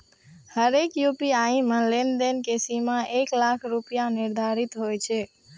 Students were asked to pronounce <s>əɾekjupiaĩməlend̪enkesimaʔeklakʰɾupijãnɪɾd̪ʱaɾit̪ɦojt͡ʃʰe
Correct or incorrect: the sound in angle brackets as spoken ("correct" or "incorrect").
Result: incorrect